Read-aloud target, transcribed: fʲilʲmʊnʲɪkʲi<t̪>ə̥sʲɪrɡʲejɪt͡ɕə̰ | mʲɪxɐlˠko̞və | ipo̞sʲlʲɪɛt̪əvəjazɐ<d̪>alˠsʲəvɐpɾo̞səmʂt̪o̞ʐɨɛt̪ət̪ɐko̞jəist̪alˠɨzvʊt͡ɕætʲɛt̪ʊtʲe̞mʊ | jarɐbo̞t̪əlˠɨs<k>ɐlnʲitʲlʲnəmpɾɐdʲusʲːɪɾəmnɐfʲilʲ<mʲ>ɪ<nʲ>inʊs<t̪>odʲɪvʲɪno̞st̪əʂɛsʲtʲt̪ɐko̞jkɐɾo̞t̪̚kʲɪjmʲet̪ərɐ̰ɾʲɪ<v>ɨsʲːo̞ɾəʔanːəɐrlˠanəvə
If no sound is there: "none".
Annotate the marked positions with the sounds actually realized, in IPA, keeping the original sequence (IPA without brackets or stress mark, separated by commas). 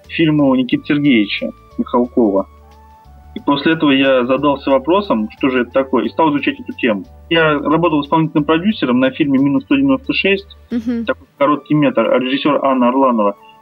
t̪, d̪, p, mʲ, mʲ, t̪, ʐ